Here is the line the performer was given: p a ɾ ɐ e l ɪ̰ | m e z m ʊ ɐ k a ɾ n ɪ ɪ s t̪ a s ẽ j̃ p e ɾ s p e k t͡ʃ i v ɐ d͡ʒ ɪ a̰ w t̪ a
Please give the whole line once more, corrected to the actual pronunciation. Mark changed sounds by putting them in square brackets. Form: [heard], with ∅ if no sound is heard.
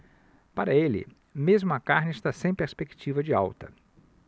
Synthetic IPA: p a ɾ ɐ e l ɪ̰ | m e z m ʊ ɐ k a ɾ n ɪ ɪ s t̪ a s ẽ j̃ p e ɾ s p e k t͡ʃ i v ɐ d͡ʒ ɪ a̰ w t̪ [ɐ]